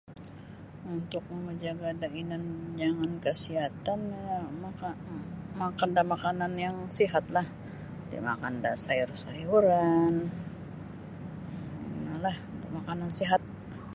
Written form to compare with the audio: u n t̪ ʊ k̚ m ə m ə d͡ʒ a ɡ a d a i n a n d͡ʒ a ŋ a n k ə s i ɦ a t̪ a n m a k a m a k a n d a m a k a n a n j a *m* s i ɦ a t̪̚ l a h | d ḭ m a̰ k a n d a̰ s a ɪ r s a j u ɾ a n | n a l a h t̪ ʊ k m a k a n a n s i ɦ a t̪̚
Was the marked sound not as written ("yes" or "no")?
yes